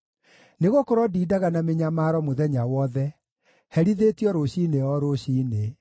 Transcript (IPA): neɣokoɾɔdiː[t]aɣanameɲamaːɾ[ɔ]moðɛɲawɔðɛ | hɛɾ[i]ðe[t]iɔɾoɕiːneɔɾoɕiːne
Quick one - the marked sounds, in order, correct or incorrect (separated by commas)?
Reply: incorrect, correct, correct, correct